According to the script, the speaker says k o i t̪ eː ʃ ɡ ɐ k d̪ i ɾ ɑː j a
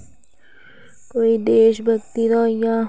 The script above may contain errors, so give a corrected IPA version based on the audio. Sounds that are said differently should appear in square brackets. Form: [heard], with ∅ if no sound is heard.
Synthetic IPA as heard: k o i [d̪] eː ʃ [b] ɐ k [t̪] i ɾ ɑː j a